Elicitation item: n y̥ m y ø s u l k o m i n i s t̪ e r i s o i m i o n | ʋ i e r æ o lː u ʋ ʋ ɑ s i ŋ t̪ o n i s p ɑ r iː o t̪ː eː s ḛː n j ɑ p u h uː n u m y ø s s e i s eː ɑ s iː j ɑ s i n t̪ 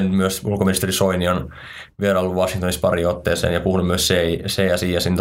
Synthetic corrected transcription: n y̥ m y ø s u l k o m i n i s t̪ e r i s o i n i o n | ʋ i e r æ o lː u ʋ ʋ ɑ s i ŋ t̪ o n i s p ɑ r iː o t̪ː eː s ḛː n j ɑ p u h u n u m y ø s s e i s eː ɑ s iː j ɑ s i n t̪